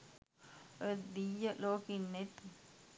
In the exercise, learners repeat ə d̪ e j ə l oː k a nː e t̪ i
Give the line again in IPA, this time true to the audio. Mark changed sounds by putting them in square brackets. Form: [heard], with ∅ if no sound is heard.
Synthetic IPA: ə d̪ [i] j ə l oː k [i] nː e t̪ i